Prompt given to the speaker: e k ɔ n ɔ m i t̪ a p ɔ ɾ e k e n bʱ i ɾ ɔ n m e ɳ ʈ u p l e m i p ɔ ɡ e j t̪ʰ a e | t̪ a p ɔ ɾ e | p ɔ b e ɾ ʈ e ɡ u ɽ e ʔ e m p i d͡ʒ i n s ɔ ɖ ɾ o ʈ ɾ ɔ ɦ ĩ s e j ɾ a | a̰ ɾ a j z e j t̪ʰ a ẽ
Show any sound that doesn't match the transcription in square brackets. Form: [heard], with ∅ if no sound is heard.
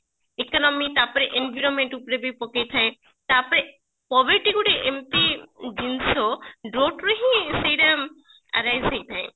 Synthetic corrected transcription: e k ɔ n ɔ m i t̪ a p ɔ ɾ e [ʔ] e n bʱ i ɾ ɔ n m e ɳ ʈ u p [ɾ] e [b] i p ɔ [k] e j t̪ʰ a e | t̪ a p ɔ ɾ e | p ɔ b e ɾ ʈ [i] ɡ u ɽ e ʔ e m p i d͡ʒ i n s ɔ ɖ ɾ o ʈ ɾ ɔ ɦ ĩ s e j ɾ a | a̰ ɾ a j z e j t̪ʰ a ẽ